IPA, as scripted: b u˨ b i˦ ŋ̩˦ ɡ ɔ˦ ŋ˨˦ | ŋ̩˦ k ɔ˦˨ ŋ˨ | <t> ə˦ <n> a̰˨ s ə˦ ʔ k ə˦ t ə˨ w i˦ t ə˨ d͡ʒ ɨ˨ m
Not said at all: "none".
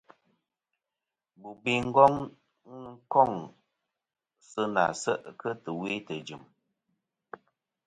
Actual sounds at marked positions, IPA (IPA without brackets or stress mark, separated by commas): s, n